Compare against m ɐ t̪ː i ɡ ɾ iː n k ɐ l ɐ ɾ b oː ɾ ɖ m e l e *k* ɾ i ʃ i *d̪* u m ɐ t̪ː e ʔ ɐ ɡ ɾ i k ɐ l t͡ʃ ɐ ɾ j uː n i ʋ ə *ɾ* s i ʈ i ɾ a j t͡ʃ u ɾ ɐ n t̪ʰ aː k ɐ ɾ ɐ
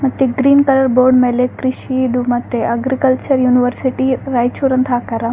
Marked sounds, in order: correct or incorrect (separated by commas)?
correct, correct, correct